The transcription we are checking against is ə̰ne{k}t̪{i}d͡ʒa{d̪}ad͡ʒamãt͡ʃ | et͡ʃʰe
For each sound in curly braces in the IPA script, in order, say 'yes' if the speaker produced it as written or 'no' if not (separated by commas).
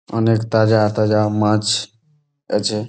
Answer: yes, no, no